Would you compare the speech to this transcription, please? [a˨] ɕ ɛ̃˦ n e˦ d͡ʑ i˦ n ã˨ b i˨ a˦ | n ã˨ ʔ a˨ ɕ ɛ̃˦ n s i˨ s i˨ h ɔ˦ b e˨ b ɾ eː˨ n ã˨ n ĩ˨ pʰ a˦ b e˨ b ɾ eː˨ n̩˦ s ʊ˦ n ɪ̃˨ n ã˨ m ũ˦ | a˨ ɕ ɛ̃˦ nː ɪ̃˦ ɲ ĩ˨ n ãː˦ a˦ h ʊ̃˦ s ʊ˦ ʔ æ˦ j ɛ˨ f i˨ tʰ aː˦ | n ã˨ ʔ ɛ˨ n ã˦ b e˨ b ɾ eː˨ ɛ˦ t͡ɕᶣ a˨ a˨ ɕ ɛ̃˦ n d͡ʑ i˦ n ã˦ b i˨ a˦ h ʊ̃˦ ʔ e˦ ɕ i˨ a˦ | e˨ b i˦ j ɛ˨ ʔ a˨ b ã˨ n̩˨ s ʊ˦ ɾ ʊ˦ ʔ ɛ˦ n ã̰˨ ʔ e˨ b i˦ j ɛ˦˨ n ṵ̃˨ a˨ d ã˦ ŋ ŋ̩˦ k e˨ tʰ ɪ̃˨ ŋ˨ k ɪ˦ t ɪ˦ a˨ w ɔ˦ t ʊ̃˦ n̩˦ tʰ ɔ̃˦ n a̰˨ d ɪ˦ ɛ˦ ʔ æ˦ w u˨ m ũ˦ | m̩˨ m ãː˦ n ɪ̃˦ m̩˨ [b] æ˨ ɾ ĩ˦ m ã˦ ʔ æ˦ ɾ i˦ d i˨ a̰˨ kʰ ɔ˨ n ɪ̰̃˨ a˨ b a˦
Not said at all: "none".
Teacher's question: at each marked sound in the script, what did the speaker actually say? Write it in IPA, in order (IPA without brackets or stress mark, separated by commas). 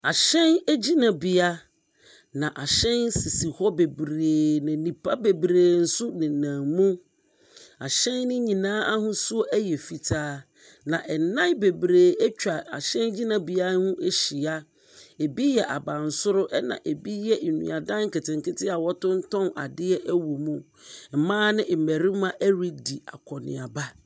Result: a˨, m